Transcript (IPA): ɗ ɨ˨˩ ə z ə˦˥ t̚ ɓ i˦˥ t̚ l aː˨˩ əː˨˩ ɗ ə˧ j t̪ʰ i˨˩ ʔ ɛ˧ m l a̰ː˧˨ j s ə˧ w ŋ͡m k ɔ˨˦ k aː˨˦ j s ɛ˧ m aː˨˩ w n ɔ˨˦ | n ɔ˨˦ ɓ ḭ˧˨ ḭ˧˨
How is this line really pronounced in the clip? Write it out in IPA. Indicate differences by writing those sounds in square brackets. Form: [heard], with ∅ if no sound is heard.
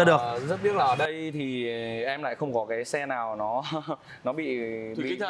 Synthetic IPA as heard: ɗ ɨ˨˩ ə z ə˦˥ t̚ ɓ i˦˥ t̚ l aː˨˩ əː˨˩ ɗ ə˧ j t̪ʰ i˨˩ ʔ ɛ˧ m l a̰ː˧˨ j [x] ə˧ w ŋ͡m k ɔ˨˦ k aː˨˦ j s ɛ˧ [n] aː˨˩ w n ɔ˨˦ | n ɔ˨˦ ɓ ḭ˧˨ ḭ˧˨